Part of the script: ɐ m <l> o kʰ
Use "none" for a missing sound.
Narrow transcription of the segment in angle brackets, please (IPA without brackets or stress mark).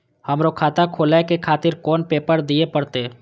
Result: ɾ